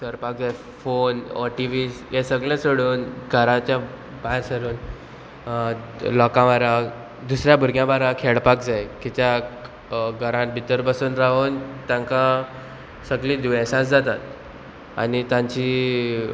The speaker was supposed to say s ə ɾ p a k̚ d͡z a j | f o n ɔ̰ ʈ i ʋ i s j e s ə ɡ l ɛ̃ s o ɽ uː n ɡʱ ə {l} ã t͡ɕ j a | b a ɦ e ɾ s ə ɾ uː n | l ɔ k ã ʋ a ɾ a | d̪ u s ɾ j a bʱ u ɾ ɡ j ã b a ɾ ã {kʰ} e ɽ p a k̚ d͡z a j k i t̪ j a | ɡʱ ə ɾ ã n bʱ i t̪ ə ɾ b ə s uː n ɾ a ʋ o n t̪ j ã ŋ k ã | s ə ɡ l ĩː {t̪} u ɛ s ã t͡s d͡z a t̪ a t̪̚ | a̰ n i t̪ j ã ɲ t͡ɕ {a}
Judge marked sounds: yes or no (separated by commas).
no, yes, no, no